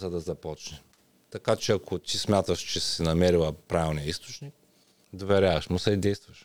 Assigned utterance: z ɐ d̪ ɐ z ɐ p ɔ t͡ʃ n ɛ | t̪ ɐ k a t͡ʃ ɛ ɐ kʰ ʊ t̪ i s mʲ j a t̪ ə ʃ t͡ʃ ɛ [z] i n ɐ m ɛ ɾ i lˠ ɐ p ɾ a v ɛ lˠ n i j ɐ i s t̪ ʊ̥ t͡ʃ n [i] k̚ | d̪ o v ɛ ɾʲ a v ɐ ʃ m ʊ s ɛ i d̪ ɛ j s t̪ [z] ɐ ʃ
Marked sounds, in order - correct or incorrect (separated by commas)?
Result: incorrect, correct, incorrect